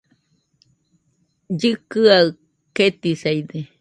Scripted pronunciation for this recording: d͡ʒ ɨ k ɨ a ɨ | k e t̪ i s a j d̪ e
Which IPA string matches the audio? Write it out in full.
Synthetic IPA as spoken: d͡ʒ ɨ k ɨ a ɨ | k e t̪ i s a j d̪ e

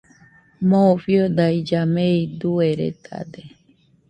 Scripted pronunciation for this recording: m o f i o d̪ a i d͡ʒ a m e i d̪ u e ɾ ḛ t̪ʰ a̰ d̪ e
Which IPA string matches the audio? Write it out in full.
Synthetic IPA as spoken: m o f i o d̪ a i d͡ʒ a m e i d̪ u e ɾ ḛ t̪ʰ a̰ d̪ e

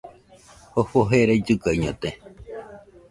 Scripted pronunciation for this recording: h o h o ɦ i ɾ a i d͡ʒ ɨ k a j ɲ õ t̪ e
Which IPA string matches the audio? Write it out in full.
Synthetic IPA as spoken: h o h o ɦ e ɾ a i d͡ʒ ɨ k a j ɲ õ t̪ e

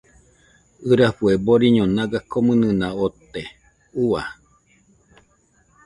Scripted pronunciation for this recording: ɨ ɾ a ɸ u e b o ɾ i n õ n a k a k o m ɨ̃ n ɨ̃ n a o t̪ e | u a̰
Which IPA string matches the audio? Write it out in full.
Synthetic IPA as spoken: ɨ ɾ a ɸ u e b o ɾ i ɲ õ n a ɡ a k o m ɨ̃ n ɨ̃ n a o t̪ e | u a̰

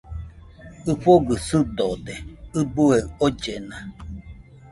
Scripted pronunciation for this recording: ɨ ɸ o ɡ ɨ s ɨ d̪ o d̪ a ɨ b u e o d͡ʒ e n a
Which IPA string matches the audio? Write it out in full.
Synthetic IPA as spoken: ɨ ɸ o ɡ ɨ s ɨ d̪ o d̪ e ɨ b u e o d͡ʒ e n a

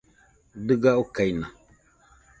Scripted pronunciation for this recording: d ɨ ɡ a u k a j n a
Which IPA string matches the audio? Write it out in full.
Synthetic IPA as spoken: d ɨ ɡ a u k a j n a

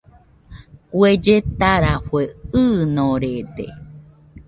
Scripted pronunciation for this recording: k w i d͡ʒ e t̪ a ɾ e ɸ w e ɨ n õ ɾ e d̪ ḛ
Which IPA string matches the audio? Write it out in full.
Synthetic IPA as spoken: k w e d͡ʒ e t̪ a ɾ a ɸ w e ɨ n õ ɾ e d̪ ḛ

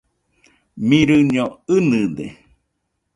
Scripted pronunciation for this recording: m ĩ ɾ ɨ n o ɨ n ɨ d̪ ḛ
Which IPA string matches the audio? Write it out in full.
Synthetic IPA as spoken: m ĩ ɾ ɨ ɲ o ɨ n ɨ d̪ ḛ

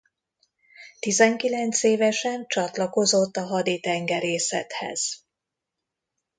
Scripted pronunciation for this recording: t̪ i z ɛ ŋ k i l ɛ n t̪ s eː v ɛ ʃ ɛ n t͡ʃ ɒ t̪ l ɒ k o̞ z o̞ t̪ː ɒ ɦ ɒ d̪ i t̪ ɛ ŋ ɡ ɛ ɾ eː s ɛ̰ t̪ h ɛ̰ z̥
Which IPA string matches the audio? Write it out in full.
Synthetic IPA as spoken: t̪ i z ɛ ŋ k i l ɛ n t̪ s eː v ɛ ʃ ɛ n t͡ʃ ɒ t̪ l ɒ k o̞ z o̞ t̪ː ɒ ɦ ɒ d̪ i t̪ ɛ ŋ ɡ ɛ ɾ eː s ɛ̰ t̪ h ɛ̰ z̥

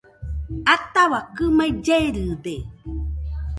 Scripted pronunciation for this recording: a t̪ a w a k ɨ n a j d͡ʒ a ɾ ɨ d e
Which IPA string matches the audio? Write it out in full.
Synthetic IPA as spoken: a t̪ a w a k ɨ m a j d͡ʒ e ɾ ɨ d e

